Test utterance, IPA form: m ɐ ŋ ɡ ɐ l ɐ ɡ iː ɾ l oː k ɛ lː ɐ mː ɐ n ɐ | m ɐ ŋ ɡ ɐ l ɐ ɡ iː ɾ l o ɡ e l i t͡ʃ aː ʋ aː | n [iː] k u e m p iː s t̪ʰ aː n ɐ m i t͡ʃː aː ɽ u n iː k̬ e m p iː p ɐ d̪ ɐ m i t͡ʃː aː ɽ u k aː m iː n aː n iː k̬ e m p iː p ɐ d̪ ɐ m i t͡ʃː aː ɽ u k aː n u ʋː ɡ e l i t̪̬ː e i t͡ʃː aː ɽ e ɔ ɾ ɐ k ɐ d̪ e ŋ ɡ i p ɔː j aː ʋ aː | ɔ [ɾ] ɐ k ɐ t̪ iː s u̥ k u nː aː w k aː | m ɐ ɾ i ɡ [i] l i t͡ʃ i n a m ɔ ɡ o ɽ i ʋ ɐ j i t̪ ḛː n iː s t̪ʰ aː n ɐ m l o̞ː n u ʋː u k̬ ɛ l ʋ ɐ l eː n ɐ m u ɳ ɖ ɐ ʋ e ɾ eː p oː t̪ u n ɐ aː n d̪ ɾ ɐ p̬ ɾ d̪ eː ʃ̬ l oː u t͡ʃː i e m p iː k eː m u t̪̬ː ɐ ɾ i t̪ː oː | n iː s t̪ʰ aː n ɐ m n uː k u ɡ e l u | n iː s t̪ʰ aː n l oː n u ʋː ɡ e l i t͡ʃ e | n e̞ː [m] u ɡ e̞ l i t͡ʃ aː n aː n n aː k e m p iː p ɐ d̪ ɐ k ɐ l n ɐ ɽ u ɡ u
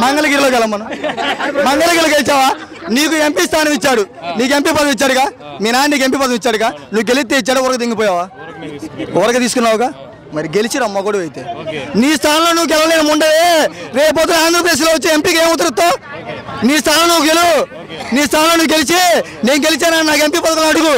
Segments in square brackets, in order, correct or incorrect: correct, correct, incorrect, incorrect

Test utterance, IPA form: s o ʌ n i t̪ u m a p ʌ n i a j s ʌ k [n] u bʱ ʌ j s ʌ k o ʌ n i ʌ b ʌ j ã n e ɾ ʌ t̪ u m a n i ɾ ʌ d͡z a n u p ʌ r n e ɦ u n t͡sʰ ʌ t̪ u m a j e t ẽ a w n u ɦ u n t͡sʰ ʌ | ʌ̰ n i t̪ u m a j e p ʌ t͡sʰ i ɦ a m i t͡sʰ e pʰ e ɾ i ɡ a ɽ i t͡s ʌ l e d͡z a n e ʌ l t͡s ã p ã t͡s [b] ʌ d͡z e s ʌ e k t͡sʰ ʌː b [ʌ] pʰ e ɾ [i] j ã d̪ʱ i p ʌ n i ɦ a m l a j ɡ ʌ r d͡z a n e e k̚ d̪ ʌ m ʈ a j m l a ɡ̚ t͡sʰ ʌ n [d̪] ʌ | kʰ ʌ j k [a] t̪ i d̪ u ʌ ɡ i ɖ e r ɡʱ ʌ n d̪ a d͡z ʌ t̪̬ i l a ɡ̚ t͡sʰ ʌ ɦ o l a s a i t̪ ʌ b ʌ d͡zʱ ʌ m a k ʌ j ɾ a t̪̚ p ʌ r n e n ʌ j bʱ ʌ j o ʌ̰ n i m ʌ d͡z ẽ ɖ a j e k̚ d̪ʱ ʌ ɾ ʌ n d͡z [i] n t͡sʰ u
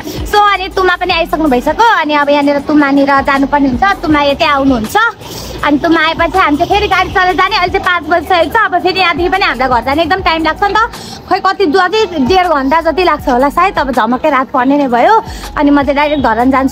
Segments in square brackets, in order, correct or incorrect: correct, correct, correct, correct, incorrect, incorrect, incorrect

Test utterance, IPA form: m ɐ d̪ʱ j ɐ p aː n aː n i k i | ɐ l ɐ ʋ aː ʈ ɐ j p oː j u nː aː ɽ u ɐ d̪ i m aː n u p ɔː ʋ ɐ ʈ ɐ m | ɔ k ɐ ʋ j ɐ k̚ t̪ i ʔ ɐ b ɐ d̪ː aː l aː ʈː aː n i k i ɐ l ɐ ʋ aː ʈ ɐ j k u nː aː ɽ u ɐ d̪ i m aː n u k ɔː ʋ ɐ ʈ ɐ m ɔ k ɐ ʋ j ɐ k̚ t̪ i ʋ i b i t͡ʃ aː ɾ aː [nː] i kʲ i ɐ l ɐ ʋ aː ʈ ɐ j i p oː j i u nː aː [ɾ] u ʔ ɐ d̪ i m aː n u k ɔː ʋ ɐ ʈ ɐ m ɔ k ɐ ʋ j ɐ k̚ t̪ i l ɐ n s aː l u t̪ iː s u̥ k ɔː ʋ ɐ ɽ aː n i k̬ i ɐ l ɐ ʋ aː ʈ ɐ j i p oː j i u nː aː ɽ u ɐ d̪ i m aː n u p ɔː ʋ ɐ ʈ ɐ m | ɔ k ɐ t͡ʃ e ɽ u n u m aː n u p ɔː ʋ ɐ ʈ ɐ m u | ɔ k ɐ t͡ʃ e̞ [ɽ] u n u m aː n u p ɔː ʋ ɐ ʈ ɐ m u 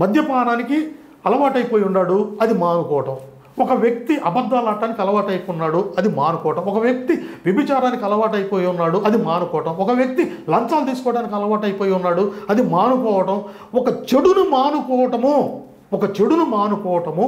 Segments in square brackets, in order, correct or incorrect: incorrect, incorrect, correct

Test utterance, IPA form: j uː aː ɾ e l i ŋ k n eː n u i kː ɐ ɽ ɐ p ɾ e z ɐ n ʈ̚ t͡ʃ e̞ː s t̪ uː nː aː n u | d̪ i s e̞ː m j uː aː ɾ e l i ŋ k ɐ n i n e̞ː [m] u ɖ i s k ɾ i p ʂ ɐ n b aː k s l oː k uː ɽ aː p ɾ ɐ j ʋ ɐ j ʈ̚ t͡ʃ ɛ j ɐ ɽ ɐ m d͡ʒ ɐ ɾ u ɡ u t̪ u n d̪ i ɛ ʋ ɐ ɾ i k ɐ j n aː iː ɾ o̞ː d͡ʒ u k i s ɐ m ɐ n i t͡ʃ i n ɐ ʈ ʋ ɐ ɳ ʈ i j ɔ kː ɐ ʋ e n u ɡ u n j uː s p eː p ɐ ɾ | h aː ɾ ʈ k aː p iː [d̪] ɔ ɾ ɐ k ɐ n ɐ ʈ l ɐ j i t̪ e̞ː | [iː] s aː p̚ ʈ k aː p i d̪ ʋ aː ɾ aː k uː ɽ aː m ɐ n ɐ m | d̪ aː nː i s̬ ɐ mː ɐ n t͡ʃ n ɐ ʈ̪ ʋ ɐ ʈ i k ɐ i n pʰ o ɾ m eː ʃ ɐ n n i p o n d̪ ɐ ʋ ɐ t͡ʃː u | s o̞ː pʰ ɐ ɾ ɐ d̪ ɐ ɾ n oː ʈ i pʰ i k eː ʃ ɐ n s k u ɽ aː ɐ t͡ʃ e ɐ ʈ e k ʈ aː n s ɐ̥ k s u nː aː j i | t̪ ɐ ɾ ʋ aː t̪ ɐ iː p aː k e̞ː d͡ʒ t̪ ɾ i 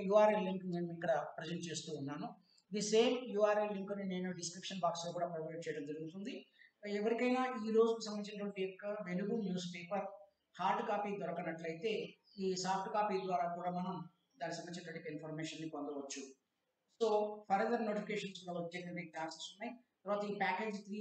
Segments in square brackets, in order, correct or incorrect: incorrect, correct, correct

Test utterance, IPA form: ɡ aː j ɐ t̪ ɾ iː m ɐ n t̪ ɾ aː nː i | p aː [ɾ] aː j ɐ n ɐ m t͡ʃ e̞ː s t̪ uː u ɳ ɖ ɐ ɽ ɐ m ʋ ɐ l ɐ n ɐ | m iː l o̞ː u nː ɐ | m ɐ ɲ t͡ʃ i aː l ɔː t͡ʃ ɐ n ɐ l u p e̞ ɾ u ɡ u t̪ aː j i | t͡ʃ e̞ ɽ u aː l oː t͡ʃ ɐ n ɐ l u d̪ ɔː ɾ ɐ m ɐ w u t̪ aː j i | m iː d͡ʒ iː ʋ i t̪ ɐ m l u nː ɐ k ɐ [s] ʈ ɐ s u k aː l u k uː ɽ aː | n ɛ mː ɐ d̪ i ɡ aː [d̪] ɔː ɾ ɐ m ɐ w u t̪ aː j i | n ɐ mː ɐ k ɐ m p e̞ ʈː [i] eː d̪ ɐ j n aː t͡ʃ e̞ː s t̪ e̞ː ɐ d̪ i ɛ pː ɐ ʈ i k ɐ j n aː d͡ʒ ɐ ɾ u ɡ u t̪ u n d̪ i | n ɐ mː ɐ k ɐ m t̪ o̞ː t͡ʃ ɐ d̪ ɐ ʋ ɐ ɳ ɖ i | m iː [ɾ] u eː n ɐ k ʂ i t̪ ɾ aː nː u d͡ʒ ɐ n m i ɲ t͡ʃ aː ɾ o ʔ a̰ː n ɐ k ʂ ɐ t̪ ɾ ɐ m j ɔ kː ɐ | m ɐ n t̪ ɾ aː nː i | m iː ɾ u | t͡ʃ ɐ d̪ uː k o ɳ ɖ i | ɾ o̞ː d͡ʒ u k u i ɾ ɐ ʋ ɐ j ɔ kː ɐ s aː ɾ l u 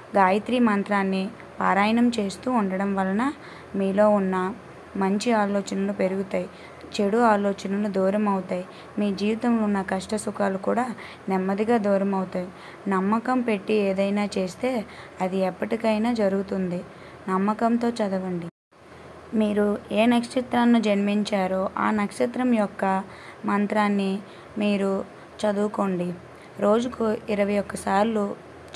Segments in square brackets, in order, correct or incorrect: correct, incorrect, correct, correct, correct

